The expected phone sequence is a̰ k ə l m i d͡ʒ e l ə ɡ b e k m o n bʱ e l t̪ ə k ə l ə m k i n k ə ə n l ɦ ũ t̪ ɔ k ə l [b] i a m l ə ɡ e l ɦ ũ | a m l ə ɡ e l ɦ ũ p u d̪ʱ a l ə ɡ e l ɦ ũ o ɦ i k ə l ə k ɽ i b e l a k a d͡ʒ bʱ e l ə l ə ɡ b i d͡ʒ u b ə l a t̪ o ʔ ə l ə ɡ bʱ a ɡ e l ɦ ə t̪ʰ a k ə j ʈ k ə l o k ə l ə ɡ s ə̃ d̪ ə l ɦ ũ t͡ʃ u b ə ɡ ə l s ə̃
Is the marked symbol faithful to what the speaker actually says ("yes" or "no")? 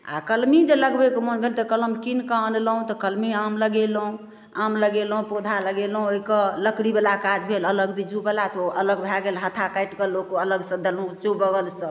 no